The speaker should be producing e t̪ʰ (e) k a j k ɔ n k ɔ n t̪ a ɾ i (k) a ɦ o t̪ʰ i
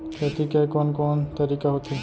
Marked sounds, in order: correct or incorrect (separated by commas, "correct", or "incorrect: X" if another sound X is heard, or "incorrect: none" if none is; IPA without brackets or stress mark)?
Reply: incorrect: i, correct